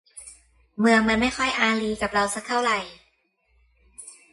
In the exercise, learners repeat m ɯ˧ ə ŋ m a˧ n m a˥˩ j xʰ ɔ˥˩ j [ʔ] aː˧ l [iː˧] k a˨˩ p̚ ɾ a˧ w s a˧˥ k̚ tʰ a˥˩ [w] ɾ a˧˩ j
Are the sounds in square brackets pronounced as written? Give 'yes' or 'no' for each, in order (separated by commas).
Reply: yes, yes, yes